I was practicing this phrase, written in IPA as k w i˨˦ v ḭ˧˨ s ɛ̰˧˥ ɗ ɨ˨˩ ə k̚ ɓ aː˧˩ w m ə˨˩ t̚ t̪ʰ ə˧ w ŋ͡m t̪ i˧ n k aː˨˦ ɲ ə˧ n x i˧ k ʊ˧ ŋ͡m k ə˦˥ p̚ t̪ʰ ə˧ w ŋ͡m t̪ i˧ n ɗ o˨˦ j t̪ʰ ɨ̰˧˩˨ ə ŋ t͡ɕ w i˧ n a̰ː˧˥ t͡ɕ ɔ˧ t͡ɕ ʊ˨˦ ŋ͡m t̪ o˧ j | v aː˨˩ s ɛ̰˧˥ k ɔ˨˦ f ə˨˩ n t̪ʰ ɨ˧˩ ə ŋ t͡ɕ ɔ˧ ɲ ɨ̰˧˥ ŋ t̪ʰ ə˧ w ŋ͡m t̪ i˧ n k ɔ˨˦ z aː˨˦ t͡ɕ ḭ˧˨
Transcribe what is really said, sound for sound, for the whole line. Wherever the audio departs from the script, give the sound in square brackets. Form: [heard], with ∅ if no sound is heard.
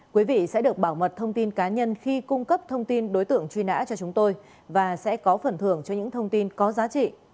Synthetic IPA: k w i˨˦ v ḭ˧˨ s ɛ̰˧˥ ɗ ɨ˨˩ ə k̚ ɓ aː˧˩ w m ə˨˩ t̚ t̪ʰ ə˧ w ŋ͡m t̪ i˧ n k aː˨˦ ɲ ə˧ n x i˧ k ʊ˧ ŋ͡m k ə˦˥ p̚ t̪ʰ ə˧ w ŋ͡m t̪ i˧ n ɗ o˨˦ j [t̪] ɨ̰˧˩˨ ə ŋ t͡ɕ w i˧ n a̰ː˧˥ t͡ɕ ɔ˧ t͡ɕ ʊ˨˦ ŋ͡m t̪ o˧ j | v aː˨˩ s ɛ̰˧˥ k ɔ˨˦ f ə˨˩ n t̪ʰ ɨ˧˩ ə ŋ t͡ɕ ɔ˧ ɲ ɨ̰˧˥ ŋ t̪ʰ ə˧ w ŋ͡m t̪ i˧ n k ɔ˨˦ z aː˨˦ t͡ɕ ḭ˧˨